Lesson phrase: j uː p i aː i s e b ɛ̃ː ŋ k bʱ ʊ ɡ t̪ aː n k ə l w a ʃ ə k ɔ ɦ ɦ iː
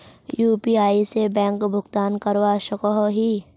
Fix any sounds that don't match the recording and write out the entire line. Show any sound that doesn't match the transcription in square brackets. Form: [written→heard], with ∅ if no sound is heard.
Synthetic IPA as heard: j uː p i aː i s e b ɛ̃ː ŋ k bʱ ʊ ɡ t̪ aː n k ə [l→ɾ] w a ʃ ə k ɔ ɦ ɦ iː